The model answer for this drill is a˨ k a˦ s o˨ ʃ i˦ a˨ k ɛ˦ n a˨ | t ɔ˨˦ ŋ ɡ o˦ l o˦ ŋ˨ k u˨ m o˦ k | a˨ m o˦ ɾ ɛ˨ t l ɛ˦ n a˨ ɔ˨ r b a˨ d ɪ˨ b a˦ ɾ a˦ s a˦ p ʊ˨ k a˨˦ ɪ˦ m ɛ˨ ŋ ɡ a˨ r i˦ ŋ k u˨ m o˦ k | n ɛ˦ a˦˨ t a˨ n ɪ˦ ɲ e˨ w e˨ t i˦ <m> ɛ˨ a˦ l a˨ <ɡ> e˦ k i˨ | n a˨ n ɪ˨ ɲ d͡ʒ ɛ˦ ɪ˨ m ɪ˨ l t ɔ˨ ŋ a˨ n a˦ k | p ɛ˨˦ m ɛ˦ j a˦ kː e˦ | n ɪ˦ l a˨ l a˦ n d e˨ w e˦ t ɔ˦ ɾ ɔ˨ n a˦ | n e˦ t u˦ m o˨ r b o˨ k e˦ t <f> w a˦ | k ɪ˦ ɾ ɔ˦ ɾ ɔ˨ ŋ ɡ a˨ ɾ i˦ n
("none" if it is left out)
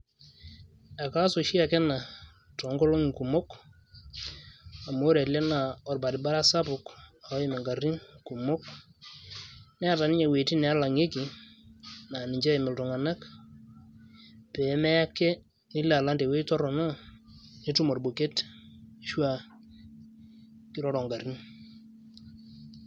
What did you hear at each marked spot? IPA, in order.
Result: n, ŋ, ʃ

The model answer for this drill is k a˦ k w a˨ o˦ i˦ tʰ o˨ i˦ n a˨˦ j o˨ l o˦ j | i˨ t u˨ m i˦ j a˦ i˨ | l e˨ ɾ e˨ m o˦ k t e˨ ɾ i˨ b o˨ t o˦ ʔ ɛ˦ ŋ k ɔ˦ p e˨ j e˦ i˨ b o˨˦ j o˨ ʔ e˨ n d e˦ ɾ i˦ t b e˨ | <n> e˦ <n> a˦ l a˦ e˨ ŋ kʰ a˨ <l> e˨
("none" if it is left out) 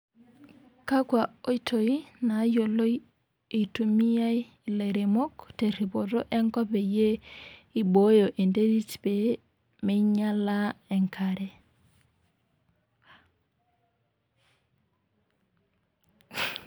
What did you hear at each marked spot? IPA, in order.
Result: m, ɲ, ɾ

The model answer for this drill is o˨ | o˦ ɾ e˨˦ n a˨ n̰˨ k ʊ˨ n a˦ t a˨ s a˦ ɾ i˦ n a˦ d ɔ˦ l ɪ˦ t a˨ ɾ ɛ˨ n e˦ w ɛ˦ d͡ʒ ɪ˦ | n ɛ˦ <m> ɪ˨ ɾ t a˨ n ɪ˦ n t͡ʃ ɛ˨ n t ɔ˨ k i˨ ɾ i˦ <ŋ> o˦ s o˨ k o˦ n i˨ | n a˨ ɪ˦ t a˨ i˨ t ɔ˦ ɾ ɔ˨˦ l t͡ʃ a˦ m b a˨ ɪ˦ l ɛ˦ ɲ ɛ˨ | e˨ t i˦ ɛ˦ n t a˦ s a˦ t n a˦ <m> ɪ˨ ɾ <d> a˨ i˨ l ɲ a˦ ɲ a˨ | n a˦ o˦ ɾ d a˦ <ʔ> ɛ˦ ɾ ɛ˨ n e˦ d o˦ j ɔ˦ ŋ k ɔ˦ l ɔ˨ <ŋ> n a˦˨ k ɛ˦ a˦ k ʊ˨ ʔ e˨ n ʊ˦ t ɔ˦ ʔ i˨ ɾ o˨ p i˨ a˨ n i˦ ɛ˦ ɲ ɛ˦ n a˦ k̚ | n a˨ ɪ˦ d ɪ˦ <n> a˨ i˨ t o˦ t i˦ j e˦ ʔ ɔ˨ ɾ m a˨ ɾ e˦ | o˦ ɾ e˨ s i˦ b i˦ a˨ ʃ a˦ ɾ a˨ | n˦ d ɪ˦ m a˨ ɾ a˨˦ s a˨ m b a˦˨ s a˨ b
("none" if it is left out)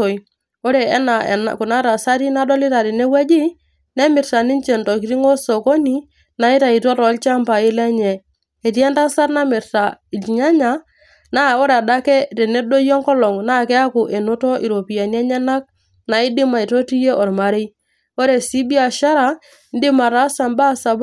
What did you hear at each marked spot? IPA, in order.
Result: m, ŋ, m, t, k, ŋ, m

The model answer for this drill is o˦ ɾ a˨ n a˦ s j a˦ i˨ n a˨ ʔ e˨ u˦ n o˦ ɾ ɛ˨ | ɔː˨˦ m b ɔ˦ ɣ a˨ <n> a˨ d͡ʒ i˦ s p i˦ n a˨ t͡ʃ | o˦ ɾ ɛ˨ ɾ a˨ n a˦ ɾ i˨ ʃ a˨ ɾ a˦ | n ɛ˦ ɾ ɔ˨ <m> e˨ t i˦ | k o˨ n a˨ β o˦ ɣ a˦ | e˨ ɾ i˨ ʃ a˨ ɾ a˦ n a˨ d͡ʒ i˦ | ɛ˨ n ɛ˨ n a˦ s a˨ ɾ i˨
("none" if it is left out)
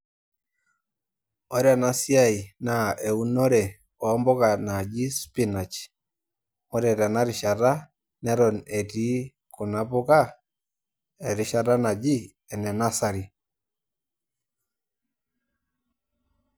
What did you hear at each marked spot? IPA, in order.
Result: n, n

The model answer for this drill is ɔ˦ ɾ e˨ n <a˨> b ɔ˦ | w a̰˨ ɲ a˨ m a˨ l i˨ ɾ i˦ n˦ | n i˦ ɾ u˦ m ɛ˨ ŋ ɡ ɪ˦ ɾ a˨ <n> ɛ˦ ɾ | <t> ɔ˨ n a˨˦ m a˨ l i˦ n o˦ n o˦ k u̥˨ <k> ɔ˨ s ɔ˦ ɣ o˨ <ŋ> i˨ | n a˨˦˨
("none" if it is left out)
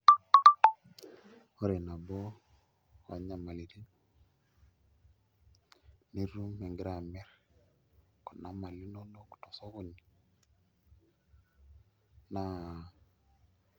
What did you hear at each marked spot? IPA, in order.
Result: a˨, m, k, t, n

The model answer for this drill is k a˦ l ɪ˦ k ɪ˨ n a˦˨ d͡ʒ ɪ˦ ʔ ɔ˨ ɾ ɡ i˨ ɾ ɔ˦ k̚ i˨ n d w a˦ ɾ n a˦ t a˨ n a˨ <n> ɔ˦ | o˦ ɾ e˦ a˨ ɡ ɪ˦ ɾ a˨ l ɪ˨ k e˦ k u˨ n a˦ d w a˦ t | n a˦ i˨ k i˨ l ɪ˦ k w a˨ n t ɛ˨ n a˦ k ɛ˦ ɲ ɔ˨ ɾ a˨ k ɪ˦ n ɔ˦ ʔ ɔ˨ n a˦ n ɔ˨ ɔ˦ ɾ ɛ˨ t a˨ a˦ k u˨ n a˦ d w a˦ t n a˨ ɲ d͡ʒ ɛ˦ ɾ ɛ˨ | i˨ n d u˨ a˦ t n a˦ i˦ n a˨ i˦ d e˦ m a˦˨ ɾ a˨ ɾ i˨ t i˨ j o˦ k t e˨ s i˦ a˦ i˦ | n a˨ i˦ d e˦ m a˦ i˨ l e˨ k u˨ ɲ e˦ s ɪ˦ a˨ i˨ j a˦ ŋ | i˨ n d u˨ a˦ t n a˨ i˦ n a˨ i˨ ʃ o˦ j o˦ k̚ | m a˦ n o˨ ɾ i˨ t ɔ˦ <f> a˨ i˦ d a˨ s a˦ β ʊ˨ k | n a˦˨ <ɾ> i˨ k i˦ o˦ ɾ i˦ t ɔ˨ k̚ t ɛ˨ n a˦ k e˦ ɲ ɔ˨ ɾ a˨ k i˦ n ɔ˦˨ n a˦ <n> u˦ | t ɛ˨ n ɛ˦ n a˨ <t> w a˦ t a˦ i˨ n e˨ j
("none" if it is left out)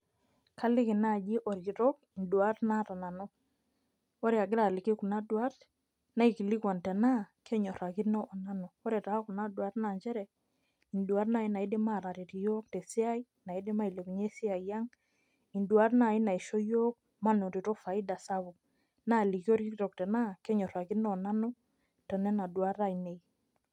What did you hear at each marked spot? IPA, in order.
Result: n, f, l, n, d

